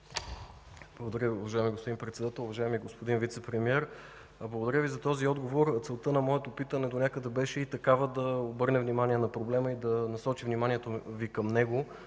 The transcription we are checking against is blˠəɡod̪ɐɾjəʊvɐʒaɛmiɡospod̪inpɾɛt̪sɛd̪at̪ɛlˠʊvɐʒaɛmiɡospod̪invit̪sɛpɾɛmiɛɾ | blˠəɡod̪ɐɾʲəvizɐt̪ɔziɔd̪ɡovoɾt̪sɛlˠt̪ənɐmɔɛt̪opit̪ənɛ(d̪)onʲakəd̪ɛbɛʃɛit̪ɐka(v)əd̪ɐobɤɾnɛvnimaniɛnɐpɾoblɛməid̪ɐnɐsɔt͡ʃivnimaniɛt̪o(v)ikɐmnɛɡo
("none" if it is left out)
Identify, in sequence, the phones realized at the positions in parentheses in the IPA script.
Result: d̪, v, v

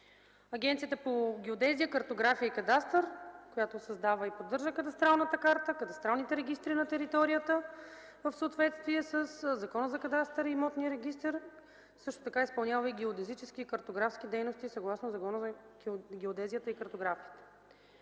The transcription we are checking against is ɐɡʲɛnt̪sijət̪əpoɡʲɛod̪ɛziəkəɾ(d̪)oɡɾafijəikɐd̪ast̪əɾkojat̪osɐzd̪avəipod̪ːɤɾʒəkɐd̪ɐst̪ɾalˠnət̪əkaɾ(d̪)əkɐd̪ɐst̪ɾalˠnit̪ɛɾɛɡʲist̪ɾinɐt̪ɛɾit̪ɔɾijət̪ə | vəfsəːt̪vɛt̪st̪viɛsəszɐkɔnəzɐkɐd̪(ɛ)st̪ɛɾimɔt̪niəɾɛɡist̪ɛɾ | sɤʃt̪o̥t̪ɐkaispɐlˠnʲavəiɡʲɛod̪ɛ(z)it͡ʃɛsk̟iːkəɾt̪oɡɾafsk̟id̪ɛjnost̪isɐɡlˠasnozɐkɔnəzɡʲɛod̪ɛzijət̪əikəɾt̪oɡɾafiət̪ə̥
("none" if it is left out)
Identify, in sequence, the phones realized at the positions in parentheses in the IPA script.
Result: t̪, t̪, a, z

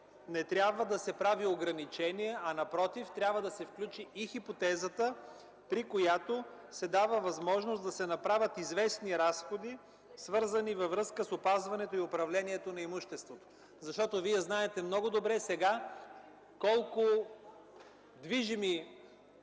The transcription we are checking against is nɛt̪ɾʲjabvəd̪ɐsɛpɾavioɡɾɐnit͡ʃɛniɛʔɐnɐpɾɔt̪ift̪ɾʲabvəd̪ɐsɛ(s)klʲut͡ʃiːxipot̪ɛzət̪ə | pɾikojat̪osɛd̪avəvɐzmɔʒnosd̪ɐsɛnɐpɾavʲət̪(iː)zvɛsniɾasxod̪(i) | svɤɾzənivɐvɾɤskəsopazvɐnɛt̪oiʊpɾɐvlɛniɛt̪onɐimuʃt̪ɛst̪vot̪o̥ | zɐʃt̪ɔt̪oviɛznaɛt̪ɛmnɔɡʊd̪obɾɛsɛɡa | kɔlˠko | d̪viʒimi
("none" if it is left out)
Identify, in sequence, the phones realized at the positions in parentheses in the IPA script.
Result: f, i, i

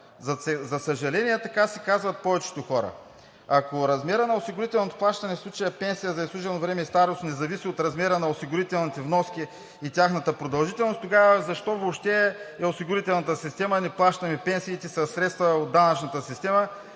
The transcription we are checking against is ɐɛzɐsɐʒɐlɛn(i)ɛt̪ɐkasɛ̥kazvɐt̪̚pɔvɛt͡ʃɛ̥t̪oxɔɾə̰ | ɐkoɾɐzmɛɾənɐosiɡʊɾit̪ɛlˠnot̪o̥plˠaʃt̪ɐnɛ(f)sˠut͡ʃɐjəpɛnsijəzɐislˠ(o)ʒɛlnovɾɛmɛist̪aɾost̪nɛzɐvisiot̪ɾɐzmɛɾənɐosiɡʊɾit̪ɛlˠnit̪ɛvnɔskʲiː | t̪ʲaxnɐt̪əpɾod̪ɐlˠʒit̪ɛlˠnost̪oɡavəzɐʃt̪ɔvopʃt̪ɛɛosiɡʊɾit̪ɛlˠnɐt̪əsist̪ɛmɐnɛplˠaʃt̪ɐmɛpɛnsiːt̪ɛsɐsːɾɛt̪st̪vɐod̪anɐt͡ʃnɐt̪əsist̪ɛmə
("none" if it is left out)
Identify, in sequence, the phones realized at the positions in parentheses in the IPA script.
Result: i, f, u

